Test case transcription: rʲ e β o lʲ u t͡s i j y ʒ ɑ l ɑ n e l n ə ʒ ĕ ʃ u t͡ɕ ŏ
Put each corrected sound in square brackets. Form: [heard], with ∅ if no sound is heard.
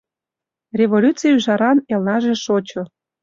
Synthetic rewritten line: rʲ e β o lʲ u t͡s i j y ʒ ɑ [ɾ] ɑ n e l n [ɑ] ʒ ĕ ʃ [o] t͡ɕ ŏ